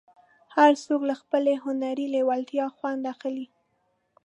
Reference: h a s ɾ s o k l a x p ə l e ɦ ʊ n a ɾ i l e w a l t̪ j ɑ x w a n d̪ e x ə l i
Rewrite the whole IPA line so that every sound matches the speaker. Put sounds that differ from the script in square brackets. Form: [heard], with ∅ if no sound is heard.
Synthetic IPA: h a [∅] ɾ s o k l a x p ə l e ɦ ʊ n a ɾ i l e w a l t̪ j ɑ x w a n d̪ [a] x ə l i